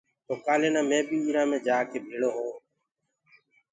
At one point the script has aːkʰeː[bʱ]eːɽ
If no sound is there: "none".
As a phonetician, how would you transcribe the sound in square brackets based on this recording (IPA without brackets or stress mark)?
bʱ